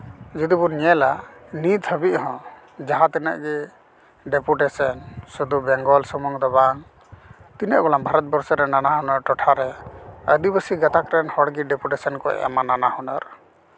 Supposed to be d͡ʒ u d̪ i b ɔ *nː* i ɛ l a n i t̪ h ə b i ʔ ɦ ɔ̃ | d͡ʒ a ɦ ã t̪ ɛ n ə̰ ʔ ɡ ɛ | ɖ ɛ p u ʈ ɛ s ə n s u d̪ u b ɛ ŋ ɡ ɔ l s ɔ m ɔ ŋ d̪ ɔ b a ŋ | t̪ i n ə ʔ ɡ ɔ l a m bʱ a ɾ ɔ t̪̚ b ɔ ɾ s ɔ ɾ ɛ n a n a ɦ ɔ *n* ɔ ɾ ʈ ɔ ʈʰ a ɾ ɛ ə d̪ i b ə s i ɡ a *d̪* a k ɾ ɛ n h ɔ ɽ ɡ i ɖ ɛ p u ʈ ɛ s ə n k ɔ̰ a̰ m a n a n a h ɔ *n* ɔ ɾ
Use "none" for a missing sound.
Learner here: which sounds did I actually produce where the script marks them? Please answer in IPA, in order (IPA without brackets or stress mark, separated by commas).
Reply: n, n, t̪, n